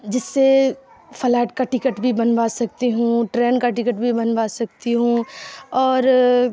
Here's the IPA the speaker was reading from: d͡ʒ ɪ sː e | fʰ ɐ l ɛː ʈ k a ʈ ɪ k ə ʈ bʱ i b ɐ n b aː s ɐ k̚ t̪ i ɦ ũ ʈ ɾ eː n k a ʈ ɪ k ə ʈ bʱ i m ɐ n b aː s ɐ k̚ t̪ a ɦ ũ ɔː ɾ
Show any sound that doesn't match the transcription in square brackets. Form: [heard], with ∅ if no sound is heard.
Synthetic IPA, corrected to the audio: d͡ʒ ɪ sː e | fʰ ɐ l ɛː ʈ k a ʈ ɪ k ə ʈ bʱ i b ɐ n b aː s ɐ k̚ t̪ i ɦ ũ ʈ ɾ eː n k a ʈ ɪ k ə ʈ bʱ i [b] ɐ n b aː s ɐ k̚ t̪ [i] ɦ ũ ɔː ɾ